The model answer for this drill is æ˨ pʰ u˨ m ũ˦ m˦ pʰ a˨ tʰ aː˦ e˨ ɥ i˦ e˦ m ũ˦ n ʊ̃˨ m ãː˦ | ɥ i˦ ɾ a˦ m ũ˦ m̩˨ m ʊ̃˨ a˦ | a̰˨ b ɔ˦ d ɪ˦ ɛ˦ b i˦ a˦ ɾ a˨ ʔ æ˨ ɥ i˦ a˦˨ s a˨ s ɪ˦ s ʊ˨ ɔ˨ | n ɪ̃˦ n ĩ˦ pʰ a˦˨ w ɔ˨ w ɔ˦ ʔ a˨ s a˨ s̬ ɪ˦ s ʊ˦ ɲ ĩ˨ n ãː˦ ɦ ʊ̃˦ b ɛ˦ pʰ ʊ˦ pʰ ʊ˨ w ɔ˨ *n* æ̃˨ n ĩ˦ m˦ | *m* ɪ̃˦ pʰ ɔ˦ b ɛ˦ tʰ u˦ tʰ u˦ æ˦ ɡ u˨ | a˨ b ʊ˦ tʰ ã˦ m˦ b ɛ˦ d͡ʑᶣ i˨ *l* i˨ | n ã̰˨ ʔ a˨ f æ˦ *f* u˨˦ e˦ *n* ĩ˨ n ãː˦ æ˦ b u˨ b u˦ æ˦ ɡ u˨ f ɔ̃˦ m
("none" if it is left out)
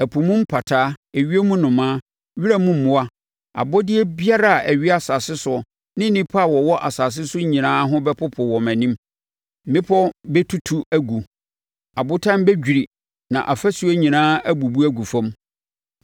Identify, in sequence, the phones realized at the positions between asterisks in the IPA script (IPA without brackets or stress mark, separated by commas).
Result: m, m, ɾ, s, ɲ